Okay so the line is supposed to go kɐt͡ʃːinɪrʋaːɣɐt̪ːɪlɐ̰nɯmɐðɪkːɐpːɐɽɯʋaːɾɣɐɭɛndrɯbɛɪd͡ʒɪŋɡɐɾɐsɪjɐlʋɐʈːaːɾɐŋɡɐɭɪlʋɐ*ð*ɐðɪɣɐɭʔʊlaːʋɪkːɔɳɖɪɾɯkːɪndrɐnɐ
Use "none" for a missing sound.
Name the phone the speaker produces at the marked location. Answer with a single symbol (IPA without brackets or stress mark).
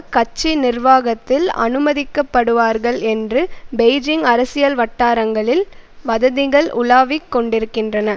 ð